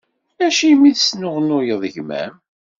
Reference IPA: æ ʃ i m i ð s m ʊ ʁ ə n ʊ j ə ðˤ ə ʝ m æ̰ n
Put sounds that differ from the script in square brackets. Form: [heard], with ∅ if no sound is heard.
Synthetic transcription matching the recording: æ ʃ i m i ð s [n] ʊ ʁ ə n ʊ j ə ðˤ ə ʝ m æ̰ [m]